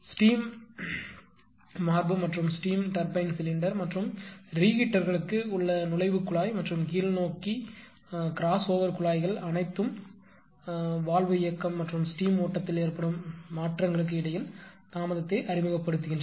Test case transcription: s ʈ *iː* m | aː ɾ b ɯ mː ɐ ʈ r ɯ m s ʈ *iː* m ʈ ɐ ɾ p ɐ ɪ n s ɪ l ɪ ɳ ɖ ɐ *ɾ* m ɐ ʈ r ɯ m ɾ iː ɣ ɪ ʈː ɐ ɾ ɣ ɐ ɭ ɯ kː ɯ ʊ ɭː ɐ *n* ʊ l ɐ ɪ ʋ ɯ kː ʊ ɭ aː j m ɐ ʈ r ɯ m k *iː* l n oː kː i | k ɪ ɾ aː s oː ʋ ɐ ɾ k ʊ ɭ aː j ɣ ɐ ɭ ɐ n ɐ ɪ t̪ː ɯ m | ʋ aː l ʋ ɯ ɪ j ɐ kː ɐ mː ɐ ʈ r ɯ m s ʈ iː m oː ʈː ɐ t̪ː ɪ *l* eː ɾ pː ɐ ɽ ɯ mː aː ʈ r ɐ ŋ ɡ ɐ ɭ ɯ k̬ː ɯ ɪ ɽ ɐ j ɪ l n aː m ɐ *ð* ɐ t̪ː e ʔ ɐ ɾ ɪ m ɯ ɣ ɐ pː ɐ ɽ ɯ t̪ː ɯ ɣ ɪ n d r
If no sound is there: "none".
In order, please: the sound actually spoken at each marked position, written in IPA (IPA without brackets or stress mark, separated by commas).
iː, iː, ɾ, n, iː, l, ð